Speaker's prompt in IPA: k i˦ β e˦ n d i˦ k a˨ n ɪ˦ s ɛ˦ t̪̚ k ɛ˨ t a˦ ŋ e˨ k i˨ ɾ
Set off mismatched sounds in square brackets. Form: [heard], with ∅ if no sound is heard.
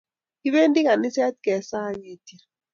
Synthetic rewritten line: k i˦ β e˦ n d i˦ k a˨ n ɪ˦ s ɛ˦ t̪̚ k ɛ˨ [s] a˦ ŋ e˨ [t] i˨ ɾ